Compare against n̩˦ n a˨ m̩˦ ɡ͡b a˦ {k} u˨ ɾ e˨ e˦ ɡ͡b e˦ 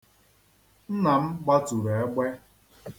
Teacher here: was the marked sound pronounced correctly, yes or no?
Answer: no